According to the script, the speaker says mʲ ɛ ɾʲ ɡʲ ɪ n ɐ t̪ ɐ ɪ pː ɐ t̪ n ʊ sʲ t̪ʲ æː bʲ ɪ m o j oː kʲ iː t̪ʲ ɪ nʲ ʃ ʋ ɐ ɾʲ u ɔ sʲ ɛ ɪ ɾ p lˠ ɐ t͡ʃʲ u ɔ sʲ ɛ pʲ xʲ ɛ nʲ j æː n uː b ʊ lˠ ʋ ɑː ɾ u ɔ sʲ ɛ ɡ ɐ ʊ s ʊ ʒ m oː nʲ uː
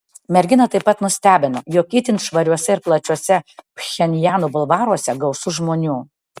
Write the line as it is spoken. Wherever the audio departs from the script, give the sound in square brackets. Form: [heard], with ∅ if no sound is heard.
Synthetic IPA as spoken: mʲ ɛ ɾʲ ɡʲ ɪ n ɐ t̪ ɐ ɪ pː ɐ t̪ n ʊ sʲ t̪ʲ æː bʲ ɪ [n] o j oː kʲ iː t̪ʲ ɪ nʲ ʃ ʋ ɐ ɾʲ u ɔ sʲ ɛ ɪ ɾ p lˠ ɐ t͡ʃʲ u ɔ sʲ ɛ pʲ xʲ ɛ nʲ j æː n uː b ʊ lˠ ʋ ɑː ɾ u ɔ sʲ ɛ ɡ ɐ ʊ s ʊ ʒ m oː nʲ uː